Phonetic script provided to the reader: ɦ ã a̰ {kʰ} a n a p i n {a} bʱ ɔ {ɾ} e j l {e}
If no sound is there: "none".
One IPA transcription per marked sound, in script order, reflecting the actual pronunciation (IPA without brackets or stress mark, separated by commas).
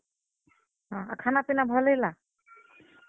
kʰ, a, l, a